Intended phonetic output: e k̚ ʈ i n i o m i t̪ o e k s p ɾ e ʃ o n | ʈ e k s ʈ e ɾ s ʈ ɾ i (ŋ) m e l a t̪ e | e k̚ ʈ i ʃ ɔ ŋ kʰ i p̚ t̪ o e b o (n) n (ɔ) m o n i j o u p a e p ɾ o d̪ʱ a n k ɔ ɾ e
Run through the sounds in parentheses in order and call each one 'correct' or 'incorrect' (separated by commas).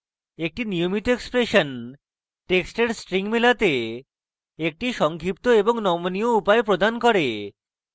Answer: correct, incorrect, correct